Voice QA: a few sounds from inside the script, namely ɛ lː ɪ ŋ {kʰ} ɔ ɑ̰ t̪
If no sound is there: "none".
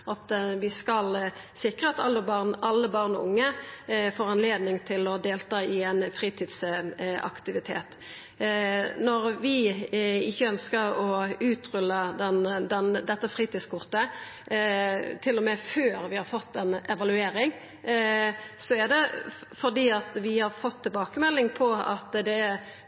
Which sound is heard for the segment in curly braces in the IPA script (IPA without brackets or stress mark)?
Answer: pʰ